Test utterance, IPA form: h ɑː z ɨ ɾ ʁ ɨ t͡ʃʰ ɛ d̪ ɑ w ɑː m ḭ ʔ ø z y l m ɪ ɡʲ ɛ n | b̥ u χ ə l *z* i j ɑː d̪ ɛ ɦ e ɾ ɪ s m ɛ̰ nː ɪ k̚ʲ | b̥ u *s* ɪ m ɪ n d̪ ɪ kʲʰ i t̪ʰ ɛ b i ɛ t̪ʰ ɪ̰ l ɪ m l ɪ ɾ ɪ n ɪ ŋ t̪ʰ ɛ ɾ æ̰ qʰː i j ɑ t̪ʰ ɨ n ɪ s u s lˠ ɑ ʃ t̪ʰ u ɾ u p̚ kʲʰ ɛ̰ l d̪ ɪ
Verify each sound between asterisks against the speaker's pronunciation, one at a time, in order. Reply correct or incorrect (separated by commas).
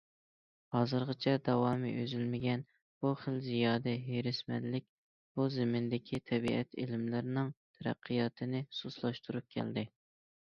correct, incorrect